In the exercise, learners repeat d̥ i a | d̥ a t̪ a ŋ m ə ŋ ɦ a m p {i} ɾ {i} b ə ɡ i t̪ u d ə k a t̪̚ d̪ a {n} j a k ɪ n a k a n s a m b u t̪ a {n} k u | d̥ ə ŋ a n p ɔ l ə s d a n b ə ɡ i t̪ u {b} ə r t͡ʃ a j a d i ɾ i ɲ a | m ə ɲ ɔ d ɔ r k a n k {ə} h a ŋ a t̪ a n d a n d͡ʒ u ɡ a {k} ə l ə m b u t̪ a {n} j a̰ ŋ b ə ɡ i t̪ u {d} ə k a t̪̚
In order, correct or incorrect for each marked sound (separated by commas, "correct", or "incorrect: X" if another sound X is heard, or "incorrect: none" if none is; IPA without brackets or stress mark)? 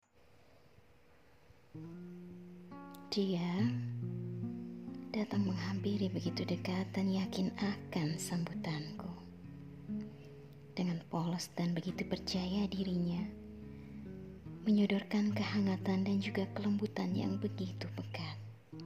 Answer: correct, correct, correct, correct, incorrect: p, correct, correct, correct, incorrect: b